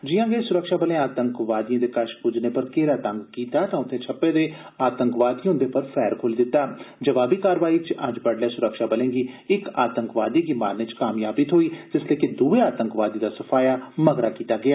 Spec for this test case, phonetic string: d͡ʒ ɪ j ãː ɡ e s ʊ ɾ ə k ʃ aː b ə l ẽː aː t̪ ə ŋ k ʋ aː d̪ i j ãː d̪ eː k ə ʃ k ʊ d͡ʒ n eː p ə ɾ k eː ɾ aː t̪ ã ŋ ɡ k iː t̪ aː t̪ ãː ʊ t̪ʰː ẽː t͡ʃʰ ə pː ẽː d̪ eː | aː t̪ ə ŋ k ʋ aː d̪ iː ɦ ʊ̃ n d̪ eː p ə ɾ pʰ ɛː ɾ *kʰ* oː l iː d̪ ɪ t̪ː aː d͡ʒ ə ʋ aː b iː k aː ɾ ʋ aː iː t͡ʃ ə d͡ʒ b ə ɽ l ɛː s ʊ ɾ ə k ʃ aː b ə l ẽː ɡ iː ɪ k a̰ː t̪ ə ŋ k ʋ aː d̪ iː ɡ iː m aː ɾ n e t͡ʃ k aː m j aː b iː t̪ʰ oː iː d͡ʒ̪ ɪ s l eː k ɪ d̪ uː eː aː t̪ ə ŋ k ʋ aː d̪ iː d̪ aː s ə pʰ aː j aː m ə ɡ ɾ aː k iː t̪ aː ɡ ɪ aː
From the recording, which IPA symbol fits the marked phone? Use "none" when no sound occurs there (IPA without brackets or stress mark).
kʰ